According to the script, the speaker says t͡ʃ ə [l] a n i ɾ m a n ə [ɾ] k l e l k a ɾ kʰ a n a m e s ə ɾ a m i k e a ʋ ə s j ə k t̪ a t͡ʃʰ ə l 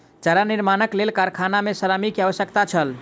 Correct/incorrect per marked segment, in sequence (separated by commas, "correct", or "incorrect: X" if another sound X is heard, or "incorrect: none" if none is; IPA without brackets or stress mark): incorrect: ɾ, incorrect: none